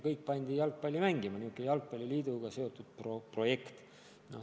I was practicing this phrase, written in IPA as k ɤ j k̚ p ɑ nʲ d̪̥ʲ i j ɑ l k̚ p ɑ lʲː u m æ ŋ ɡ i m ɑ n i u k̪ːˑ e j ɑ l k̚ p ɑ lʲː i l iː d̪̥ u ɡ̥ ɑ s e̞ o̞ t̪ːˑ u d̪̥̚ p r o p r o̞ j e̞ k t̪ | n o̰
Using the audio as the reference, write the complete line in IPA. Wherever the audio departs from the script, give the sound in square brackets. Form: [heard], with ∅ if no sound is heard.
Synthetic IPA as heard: k ɤ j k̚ p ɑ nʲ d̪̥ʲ i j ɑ l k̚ p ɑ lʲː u m æ ŋ ɡ i m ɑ n i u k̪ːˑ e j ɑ l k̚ p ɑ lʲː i l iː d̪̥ u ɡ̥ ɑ s e̞ o̞ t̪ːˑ u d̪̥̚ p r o p r o̞ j e̞ k t̪ | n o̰